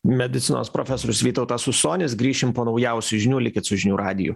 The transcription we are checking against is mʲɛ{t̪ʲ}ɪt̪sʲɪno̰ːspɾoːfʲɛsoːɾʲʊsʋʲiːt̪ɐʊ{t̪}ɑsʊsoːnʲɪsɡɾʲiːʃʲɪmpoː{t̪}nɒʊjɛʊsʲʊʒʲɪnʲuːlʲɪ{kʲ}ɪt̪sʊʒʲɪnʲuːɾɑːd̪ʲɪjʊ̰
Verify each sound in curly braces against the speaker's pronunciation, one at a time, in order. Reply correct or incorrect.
incorrect: d̪ʲ, correct, incorrect: none, correct

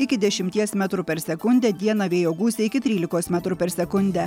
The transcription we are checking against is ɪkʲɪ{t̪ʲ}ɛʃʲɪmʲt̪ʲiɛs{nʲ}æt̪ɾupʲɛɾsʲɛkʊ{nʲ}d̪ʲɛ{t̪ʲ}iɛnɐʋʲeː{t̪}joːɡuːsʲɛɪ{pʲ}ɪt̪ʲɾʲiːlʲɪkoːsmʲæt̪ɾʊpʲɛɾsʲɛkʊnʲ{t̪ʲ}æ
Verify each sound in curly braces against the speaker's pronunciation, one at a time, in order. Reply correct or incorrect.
incorrect: d̪ʲ, incorrect: mʲ, correct, incorrect: d̪ʲ, incorrect: none, incorrect: kʲ, incorrect: d̪ʲ

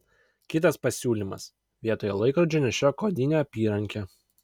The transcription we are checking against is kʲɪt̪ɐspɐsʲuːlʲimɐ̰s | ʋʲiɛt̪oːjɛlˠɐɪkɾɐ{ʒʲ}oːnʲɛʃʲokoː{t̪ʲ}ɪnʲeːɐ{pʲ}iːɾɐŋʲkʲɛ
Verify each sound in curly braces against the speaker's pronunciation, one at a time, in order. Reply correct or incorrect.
incorrect: d͡ʒʲ, incorrect: d̪ʲ, correct

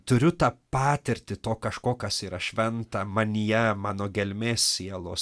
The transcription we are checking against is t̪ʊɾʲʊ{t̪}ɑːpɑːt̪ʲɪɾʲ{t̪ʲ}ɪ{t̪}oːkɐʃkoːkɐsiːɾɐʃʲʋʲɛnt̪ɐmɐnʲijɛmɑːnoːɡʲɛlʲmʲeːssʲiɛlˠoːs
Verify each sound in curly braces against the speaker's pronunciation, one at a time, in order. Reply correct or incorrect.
correct, correct, correct

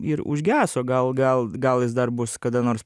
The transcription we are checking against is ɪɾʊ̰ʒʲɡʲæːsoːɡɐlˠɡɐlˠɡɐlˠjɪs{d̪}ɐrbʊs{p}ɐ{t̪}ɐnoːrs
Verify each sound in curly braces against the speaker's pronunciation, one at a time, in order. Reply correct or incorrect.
correct, incorrect: k, incorrect: d̪

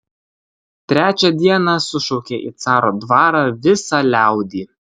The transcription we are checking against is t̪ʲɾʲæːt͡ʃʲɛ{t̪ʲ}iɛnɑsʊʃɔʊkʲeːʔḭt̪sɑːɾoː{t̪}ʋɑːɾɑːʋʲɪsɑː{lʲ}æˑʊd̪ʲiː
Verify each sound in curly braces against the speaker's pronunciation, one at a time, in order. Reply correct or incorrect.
incorrect: d̪ʲ, incorrect: d̪, correct

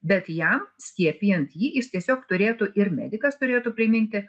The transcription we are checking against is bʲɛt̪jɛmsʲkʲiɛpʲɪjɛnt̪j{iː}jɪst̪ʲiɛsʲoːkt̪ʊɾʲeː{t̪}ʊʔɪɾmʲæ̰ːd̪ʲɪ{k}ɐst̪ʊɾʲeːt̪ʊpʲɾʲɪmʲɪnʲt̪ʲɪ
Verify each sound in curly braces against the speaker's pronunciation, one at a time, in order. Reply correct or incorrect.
correct, correct, correct

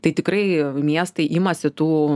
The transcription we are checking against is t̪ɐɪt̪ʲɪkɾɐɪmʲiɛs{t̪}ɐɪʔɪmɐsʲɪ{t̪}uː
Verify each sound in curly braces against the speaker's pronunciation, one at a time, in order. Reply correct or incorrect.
correct, correct

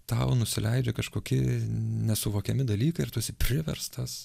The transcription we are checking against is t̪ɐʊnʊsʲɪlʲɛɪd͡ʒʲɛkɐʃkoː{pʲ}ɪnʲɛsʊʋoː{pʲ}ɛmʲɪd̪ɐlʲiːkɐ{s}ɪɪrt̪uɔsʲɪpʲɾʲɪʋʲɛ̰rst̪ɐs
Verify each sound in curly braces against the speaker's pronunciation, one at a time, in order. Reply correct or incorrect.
incorrect: kʲ, incorrect: kʲ, incorrect: none

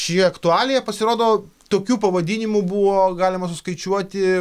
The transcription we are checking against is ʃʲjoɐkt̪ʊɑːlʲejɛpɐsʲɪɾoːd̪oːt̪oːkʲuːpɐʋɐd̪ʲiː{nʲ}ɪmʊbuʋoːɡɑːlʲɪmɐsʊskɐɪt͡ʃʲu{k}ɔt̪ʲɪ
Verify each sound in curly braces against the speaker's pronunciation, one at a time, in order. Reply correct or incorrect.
correct, incorrect: none

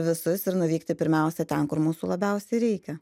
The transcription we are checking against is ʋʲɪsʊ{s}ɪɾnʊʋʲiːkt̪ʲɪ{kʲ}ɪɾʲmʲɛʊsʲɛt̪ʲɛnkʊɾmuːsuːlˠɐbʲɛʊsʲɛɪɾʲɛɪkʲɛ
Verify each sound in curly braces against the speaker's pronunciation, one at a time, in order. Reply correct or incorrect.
correct, incorrect: pʲ

